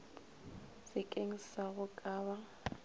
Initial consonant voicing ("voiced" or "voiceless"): voiceless